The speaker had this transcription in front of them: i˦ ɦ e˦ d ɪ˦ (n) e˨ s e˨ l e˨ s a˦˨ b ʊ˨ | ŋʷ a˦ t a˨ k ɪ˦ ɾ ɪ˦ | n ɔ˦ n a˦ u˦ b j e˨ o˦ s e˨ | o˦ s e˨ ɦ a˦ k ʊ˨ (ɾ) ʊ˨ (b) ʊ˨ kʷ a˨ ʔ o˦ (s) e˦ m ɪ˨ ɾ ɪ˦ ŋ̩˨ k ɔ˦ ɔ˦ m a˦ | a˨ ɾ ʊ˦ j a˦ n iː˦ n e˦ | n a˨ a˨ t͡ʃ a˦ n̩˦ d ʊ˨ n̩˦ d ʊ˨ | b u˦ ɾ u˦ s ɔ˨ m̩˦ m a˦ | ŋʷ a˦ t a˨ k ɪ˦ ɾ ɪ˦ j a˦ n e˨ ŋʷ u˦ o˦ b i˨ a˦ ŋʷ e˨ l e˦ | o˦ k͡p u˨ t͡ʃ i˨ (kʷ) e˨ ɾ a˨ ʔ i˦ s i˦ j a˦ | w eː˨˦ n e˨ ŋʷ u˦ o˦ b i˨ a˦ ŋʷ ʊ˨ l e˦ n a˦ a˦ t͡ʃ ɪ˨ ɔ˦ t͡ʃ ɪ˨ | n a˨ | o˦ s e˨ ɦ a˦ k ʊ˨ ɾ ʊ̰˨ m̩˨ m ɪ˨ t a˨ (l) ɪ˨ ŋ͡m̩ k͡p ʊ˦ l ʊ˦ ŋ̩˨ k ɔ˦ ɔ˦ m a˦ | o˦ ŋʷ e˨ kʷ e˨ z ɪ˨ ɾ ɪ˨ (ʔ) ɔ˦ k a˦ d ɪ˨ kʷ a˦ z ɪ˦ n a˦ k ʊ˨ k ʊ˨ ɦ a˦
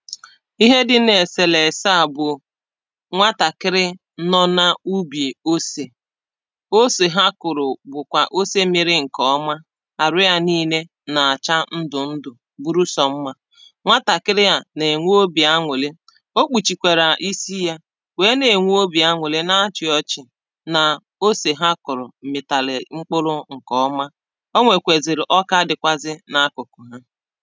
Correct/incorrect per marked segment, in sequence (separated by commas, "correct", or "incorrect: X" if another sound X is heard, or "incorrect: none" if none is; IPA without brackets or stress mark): correct, correct, correct, correct, correct, correct, correct